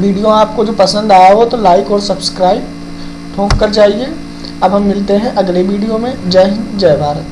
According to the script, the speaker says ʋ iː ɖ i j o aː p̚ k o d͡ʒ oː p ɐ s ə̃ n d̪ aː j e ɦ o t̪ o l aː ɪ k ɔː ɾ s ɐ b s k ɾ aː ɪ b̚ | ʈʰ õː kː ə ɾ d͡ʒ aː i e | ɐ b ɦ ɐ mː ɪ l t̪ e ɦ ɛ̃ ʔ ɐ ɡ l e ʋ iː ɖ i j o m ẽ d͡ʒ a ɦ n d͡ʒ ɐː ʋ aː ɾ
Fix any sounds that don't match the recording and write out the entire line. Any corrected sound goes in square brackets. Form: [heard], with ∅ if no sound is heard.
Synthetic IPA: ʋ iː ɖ i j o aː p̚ k o d͡ʒ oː p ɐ s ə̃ n d̪ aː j [a] ɦ o t̪ o l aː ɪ k ɔː ɾ s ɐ b s k ɾ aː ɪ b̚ | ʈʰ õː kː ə ɾ d͡ʒ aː i e | ɐ b ɦ ɐ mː ɪ l t̪ e ɦ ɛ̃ ʔ ɐ ɡ l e ʋ iː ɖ i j o m ẽ d͡ʒ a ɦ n d͡ʒ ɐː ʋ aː ɾ

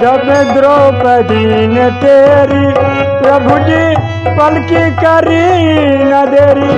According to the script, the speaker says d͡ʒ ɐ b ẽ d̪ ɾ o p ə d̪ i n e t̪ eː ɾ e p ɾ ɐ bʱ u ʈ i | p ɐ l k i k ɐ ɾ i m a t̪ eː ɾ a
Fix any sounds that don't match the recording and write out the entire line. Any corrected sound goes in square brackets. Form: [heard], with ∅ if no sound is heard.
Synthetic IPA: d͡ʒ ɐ b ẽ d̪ ɾ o p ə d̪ i n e t̪ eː ɾ [i] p ɾ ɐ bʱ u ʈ i | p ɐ l k i k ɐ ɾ i [n] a [d̪] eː ɾ [i]

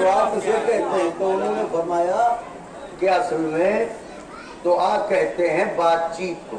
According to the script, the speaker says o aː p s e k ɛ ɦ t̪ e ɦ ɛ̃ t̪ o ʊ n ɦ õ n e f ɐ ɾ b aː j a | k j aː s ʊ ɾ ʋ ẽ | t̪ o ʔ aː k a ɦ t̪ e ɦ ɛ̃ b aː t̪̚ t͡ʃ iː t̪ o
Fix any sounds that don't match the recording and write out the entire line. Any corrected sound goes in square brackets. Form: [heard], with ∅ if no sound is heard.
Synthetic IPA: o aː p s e k ɛ ɦ t̪ e ɦ ɛ̃ t̪ o ʊ n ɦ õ n e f ɐ ɾ [m] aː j a | k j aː s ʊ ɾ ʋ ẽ | t̪ o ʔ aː k [ɛ] ɦ t̪ e ɦ ɛ̃ b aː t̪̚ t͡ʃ iː t̪ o

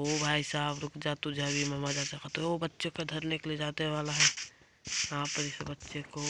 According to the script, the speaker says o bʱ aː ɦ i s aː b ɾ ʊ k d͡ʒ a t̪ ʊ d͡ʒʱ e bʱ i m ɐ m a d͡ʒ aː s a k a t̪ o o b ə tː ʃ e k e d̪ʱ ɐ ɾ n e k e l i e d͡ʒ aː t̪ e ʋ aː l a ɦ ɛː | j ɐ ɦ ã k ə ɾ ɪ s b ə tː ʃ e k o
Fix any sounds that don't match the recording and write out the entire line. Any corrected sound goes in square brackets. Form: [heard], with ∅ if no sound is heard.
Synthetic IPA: o bʱ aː [∅] i s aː b ɾ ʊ k d͡ʒ a t̪ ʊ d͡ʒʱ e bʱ i m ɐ m a d͡ʒ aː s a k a t̪ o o b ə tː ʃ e k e d̪ʱ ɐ ɾ n e k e l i e d͡ʒ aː t̪ e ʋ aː l a ɦ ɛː | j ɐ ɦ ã [p] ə ɾ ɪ s b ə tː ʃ e k o

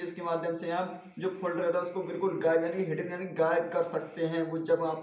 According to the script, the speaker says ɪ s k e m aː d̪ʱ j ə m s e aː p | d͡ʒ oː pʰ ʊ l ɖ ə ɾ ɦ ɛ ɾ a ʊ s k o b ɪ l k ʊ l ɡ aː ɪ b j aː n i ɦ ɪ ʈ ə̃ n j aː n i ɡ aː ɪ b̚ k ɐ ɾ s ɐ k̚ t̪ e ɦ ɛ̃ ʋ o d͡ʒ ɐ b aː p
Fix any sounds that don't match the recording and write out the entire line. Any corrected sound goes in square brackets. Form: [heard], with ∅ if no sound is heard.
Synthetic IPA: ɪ s k e m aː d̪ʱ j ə m s e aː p | d͡ʒ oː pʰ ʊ l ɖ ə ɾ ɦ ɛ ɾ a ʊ s k o b ɪ l k ʊ l ɡ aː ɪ b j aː n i ɦ ɪ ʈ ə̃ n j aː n i ɡ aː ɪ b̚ k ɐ ɾ s ɐ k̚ t̪ e ɦ ɛ̃ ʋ o d͡ʒ ɐ b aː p

